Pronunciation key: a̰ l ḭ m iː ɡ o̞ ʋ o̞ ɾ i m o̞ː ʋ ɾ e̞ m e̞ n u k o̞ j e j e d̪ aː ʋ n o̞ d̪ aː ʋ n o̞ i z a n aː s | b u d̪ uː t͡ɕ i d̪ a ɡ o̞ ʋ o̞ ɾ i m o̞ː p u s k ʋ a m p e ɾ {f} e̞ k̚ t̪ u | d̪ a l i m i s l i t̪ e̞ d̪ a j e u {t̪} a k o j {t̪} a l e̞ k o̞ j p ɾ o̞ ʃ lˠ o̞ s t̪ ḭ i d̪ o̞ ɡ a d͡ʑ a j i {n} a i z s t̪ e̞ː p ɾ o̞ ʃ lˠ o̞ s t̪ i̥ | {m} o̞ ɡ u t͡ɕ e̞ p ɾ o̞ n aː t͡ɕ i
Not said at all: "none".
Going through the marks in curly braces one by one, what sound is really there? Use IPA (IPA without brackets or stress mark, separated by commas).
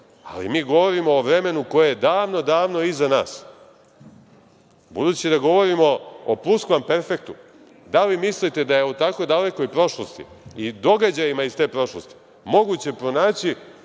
f, t̪, d̪, m, m